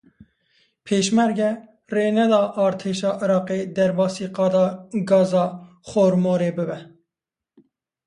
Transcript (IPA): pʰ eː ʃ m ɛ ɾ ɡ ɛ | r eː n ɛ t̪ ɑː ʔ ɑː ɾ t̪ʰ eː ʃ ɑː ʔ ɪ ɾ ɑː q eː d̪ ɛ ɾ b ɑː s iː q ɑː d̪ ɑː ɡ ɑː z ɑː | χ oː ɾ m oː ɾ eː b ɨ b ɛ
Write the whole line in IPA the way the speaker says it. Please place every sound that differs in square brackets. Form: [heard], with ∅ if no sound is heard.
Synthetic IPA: pʰ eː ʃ m ɛ ɾ ɡ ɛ | r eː n ɛ [d̪] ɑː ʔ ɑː ɾ t̪ʰ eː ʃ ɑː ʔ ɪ ɾ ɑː q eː d̪ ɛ ɾ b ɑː s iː q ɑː d̪ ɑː ɡ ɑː z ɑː | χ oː ɾ m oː ɾ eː b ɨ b ɛ

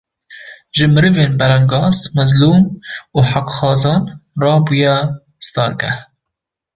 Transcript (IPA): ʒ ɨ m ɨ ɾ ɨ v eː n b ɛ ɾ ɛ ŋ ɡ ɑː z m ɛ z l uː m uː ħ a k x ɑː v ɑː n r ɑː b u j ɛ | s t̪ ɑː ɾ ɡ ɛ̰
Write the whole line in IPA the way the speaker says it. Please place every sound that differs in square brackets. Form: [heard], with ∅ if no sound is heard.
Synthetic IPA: ʒ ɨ m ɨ ɾ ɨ v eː n b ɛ ɾ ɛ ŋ ɡ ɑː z m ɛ z l uː m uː ħ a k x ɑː [z] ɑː n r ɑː b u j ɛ | s t̪ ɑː ɾ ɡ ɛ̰

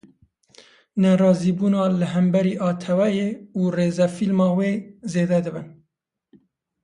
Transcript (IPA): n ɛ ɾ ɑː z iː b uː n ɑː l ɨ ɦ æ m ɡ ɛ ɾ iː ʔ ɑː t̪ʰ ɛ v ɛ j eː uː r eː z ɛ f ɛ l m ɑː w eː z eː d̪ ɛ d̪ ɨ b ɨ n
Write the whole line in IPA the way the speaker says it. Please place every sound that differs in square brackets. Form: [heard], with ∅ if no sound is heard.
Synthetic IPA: n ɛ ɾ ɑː z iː b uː n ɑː l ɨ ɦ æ m [b] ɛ ɾ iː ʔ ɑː t̪ʰ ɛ [w] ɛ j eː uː r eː z ɛ f [i] l m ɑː w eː z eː d̪ ɛ d̪ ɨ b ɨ n

